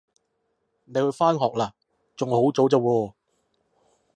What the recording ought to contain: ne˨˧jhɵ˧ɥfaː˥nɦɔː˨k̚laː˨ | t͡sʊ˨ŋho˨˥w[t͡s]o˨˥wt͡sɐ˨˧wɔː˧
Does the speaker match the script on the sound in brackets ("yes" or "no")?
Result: yes